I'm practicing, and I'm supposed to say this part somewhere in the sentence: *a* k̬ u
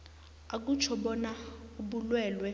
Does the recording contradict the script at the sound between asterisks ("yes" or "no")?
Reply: no